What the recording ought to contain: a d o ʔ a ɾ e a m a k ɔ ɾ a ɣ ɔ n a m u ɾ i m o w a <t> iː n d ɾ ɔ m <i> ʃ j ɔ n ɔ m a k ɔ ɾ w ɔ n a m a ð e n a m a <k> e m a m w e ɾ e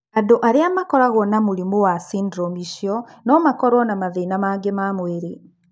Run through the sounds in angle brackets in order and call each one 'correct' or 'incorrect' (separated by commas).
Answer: incorrect, correct, incorrect